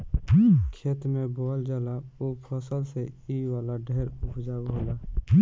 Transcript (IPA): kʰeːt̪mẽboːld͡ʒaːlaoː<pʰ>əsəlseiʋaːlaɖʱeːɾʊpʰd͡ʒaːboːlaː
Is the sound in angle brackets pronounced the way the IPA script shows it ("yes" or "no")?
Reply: yes